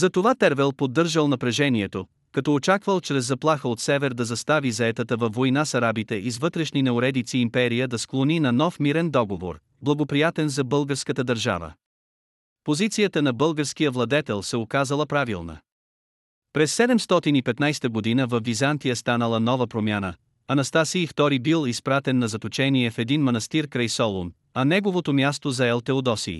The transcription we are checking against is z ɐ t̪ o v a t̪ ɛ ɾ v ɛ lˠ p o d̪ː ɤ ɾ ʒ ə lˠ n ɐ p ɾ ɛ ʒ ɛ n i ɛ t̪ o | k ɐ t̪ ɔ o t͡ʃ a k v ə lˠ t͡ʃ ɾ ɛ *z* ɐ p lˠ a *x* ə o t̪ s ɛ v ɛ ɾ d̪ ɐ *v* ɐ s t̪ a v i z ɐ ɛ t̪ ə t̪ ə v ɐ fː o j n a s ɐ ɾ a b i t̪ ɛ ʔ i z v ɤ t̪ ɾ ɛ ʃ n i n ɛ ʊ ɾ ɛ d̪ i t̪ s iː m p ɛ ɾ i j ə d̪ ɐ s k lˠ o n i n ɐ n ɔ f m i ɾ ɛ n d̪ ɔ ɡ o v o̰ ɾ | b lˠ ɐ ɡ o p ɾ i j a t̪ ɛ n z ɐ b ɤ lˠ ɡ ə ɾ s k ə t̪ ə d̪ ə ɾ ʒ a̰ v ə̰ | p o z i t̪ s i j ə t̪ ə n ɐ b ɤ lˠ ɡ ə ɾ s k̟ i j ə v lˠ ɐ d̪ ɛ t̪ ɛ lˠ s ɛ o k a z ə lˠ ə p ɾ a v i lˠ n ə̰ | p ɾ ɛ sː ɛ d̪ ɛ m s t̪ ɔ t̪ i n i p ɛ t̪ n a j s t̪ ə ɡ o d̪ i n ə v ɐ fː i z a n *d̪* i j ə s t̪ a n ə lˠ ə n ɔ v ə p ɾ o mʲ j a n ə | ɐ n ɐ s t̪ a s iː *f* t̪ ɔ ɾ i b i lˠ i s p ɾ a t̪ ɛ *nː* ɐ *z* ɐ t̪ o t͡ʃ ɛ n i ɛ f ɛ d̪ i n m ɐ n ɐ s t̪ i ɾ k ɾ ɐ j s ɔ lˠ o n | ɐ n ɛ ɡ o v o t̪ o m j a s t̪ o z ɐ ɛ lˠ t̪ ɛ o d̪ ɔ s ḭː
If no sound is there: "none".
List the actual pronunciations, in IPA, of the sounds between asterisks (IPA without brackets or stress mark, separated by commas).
zː, x, z, t̪, f, nː, z